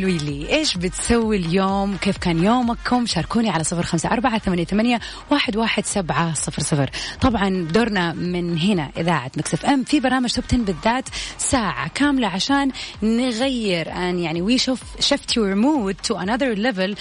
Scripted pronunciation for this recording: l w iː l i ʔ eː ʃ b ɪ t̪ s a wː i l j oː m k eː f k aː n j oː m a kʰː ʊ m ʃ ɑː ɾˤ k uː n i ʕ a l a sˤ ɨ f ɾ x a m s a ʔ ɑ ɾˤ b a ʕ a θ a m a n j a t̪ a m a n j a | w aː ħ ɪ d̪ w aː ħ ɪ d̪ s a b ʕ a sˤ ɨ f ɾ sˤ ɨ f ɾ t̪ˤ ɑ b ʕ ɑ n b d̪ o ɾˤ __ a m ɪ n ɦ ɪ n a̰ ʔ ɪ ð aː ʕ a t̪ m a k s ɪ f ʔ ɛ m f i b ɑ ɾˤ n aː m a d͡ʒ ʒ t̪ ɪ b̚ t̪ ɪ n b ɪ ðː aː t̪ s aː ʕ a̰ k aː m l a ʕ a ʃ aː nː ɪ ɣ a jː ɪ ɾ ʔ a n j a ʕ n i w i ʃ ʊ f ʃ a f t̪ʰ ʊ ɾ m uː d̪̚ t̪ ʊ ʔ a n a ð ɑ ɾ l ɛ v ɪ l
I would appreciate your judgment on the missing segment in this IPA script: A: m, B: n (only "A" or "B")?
B